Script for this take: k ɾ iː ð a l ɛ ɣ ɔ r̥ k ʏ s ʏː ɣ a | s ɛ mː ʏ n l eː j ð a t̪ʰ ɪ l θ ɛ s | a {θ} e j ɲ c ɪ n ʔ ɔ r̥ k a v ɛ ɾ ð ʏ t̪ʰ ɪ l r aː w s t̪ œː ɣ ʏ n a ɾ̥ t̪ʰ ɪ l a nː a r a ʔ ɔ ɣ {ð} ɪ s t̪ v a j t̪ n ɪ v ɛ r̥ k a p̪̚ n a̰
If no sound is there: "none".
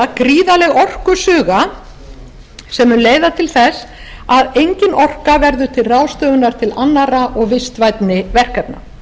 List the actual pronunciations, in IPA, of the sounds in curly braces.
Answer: ð, v

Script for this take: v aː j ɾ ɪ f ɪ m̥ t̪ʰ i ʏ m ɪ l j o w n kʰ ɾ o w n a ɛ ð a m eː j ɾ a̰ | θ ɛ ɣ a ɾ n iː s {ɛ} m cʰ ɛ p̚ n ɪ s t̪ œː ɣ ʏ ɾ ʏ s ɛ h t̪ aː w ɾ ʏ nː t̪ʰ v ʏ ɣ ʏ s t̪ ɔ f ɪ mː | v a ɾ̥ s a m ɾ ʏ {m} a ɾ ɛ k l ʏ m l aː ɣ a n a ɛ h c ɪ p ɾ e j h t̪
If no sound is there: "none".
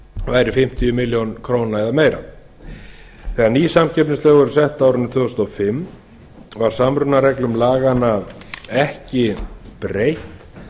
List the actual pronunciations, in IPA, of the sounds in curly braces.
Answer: a, n

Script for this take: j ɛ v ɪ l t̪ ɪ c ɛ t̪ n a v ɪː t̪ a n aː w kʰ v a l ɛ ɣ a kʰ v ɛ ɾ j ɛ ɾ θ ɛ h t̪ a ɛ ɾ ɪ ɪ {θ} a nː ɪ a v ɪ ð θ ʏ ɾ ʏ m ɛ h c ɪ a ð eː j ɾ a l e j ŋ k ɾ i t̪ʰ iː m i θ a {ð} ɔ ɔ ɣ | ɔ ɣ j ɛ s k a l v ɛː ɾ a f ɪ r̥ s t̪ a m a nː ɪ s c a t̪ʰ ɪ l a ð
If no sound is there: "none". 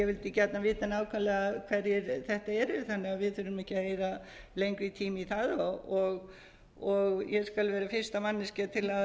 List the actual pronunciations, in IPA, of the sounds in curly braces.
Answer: θ, ð

